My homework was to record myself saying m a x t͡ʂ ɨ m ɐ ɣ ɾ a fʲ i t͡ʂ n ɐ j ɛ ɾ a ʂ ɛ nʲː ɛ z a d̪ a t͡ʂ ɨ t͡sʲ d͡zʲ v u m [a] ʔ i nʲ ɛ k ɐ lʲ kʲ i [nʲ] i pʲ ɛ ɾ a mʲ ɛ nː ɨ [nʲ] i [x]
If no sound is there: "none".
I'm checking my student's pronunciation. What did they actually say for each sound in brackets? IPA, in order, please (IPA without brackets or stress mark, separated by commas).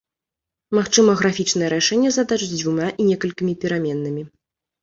a, mʲ, mʲ, none